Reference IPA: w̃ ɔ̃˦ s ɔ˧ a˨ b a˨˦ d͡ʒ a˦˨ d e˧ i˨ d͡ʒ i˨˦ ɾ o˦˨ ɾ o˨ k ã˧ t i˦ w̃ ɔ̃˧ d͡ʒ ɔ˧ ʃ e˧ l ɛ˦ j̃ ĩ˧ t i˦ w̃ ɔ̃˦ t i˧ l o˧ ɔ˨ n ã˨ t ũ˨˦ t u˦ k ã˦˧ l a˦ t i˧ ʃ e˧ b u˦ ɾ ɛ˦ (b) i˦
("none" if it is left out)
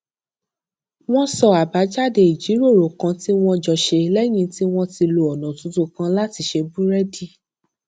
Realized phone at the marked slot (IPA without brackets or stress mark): d